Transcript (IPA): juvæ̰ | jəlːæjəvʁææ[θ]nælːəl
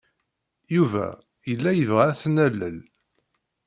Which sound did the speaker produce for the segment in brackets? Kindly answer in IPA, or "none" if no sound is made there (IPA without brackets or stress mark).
θ